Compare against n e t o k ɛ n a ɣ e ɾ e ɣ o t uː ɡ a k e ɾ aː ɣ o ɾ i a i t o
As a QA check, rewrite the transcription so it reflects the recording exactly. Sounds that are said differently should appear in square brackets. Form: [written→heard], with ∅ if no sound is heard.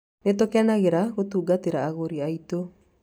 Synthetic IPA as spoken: n e t o k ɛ n a ɣ e ɾ [e→a] ɣ o t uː ɡ a [k→t] e ɾ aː ɣ o ɾ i a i t o